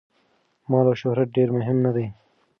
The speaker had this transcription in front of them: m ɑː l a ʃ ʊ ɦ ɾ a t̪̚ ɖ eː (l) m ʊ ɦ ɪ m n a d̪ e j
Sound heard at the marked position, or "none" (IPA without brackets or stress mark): ɾ